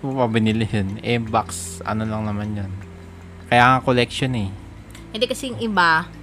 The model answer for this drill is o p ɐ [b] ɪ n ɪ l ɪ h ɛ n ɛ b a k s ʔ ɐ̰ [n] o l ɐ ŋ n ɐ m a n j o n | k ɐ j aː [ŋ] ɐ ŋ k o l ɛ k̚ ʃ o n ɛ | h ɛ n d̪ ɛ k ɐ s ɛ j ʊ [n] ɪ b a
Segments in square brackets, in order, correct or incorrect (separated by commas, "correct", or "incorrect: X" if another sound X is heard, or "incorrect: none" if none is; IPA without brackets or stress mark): correct, correct, correct, incorrect: ŋ